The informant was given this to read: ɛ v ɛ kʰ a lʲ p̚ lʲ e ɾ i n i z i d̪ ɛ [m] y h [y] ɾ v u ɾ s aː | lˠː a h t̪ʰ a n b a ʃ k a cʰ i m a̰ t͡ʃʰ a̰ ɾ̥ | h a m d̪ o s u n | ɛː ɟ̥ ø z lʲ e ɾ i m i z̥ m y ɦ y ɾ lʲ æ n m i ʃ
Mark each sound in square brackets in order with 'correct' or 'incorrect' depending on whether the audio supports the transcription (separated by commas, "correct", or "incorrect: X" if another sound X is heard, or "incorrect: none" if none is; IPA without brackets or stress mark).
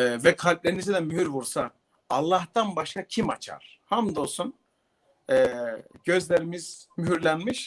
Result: correct, correct